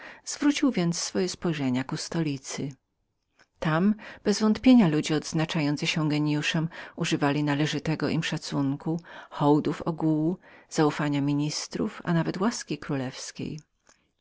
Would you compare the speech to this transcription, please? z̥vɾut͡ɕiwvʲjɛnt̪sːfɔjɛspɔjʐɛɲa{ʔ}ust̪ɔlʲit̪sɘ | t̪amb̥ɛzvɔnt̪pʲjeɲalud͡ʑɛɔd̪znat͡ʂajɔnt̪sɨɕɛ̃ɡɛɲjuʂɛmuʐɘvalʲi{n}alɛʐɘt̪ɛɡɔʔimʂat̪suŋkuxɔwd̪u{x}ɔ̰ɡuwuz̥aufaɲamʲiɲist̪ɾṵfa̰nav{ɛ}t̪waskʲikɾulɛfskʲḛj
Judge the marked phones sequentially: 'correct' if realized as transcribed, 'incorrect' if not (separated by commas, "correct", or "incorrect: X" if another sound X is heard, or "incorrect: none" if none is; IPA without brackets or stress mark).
incorrect: k, correct, incorrect: f, correct